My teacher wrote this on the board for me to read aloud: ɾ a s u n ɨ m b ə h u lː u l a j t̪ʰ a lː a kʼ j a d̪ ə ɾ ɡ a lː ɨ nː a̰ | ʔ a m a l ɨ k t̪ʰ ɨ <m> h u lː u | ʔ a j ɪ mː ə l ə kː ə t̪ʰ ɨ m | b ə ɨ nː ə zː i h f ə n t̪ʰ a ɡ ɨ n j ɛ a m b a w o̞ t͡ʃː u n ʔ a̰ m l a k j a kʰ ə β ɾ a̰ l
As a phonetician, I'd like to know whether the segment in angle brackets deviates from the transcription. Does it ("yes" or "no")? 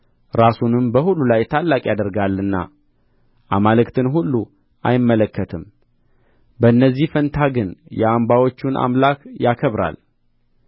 yes